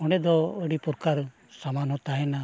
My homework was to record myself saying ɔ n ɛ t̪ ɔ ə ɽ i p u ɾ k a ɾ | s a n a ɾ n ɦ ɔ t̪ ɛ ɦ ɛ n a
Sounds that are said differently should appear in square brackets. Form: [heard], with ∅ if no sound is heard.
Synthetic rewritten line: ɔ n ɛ [d̪] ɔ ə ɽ i p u ɾ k a ɾ | s a [m] a [∅] n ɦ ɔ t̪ [a] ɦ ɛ n a